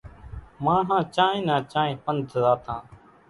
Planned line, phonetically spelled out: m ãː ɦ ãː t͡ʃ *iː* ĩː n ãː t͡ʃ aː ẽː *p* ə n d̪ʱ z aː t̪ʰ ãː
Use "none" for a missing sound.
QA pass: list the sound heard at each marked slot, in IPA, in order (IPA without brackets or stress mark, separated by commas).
aː, p